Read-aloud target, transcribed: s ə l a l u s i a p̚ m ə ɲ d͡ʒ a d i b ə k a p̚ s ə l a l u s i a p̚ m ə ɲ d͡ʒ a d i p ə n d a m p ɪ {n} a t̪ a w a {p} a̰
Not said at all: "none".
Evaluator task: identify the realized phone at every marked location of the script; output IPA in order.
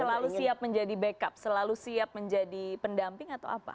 ŋ, p

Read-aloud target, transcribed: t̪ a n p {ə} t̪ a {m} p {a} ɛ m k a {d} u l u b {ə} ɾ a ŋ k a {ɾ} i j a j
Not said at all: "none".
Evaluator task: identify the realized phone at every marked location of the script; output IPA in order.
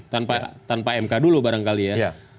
a, n, a, d, a, l

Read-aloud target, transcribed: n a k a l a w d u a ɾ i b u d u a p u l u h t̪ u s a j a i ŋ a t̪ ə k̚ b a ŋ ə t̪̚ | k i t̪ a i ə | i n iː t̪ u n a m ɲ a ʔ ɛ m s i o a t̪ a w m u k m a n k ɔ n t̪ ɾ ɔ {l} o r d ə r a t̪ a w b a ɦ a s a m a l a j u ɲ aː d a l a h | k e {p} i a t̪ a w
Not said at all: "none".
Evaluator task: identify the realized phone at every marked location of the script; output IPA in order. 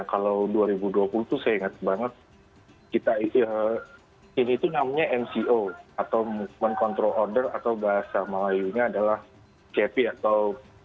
l, p

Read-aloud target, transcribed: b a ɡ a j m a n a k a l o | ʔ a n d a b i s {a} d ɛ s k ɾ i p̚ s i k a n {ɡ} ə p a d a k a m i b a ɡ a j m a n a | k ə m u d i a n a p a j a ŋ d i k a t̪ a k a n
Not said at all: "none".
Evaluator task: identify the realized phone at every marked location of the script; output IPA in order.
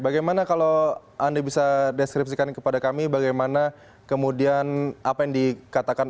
a, k

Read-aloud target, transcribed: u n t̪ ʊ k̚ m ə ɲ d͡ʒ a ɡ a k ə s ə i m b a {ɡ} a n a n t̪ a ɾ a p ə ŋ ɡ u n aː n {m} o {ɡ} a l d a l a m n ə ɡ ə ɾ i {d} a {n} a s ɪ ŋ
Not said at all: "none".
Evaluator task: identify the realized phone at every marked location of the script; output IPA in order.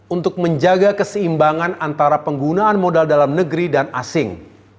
ŋ, m, d, d, n

